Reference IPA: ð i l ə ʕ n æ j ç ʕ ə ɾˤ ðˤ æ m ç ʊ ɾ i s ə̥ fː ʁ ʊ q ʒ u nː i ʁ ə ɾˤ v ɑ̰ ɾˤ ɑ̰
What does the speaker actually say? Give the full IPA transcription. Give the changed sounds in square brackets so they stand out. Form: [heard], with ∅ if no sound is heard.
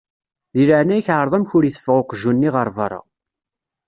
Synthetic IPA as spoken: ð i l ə ʕ n æ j ç ʕ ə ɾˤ ðˤ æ m ç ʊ ɾ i [θ] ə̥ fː ʁ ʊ q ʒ u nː i ʁ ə ɾˤ v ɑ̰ ɾˤ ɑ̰